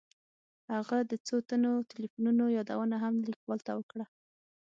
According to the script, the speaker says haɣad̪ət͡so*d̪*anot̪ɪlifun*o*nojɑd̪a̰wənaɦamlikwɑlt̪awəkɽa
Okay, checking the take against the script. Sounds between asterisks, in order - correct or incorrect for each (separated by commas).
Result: incorrect, incorrect